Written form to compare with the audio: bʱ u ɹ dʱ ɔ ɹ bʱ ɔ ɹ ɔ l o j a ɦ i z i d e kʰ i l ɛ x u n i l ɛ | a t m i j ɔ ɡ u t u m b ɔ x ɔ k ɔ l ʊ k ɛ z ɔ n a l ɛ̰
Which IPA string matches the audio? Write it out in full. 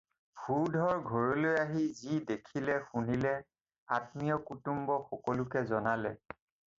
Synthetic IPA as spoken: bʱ u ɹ dʱ ɔ ɹ ɡʱ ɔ ɹ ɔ l o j a ɦ i z i d e kʰ i l ɛ x u n i l ɛ | a t m i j ɔ k u t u m b ɔ x ɔ k ɔ l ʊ k ɛ z ɔ n a l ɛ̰